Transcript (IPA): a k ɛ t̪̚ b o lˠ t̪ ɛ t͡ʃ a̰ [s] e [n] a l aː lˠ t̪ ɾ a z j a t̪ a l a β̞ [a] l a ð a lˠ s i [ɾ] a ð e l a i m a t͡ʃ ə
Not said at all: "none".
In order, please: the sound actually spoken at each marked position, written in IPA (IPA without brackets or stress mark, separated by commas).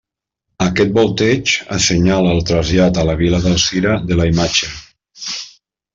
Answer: s, ɲ, i, ɾ